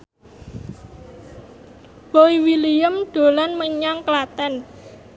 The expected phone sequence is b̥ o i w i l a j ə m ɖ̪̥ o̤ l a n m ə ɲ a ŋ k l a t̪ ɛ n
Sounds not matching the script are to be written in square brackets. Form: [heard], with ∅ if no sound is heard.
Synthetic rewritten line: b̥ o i w i l [i] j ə m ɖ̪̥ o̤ l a n m ə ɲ a ŋ k l a t̪ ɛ n